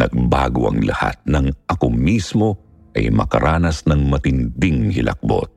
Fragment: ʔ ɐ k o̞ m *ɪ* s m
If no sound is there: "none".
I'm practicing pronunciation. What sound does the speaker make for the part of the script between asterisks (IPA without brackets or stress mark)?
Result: i